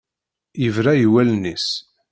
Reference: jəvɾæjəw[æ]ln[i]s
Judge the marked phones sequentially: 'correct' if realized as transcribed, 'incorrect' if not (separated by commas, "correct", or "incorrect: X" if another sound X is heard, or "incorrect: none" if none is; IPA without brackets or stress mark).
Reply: correct, correct